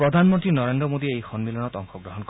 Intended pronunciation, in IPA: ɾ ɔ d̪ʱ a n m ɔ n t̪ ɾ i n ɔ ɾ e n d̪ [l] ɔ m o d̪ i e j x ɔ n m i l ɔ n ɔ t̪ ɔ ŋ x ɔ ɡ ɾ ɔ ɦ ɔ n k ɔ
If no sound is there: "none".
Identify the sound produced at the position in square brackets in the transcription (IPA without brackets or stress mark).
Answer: ɾ